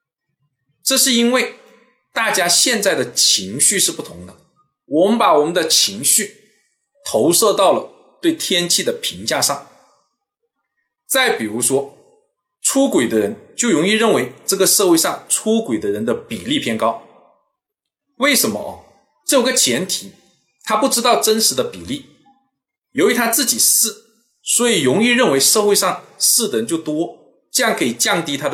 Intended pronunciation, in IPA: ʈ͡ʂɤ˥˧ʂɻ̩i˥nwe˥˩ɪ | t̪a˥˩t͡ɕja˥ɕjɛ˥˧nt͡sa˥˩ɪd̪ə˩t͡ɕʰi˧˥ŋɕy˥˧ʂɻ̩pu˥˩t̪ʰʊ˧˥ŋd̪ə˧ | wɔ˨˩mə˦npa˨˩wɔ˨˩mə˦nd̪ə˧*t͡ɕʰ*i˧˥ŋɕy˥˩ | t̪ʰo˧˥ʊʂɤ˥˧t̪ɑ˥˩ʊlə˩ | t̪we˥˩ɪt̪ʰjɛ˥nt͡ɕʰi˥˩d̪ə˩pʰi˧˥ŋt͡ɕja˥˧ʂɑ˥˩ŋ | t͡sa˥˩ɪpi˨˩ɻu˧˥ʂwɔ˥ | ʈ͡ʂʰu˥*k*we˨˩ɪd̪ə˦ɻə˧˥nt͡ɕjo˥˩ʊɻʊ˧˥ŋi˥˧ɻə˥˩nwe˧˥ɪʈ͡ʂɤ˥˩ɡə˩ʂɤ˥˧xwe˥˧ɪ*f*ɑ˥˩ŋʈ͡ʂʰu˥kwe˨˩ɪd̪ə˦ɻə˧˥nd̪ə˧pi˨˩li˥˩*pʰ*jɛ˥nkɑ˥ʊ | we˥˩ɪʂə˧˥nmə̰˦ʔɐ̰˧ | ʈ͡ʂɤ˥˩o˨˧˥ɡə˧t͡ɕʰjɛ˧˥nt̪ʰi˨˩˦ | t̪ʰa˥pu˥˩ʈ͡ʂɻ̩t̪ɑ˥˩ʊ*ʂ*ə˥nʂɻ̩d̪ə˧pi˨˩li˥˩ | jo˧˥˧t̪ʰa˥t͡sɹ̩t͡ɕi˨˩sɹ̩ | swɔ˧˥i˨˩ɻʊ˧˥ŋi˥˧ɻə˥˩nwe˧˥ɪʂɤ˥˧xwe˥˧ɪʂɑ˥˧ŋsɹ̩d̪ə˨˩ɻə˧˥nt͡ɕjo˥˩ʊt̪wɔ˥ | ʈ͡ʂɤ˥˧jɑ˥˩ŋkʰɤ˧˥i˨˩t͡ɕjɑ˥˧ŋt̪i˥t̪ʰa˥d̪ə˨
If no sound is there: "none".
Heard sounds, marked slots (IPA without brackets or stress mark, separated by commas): t͡ɕʰ, k, ʂ, pʰ, ʈ͡ʂ